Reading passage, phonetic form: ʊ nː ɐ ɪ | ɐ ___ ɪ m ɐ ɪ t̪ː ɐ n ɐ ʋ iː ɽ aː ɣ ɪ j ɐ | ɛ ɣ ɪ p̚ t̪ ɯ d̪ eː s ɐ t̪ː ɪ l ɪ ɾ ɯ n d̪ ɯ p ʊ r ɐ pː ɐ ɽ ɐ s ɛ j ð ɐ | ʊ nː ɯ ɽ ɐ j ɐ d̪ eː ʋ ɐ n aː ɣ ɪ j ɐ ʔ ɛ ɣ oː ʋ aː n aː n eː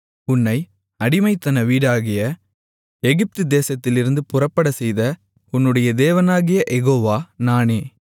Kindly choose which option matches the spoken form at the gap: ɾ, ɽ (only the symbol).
ɽ